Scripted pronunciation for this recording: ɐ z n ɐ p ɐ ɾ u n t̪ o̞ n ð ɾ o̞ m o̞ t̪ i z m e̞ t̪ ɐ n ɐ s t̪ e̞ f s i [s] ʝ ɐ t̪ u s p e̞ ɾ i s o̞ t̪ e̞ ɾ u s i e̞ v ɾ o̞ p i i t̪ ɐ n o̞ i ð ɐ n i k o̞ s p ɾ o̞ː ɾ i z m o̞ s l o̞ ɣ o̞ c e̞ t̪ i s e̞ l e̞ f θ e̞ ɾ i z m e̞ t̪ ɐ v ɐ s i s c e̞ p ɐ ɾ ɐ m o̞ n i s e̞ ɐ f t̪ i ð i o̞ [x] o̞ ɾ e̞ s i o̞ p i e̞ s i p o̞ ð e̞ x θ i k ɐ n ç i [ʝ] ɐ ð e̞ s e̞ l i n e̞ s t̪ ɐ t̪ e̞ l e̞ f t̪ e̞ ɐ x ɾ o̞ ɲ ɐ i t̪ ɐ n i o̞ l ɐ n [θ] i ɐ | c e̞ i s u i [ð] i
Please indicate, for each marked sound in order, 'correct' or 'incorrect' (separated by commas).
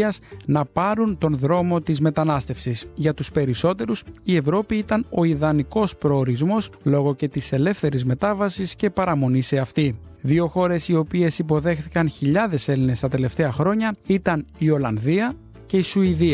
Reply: correct, correct, incorrect, incorrect, correct